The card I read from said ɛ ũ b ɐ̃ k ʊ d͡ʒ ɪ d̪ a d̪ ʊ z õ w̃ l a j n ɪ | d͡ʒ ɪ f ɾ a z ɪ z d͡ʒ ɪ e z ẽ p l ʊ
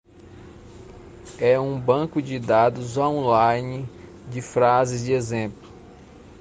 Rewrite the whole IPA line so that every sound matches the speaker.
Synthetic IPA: ɛ ũ b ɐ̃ k ʊ d͡ʒ ɪ d̪ a d̪ ʊ z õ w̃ l a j n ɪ | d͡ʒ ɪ f ɾ a z ɪ z d͡ʒ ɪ e z ẽ p l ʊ